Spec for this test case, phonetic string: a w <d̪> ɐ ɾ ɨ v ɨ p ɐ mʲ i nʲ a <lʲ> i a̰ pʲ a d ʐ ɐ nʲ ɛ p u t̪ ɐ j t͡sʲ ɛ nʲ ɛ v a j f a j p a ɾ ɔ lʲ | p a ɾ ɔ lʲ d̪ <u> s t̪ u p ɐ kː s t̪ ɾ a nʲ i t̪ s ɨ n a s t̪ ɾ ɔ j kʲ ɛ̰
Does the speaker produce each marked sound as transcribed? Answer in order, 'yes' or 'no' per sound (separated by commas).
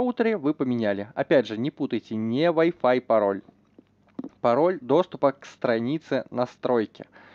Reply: no, yes, no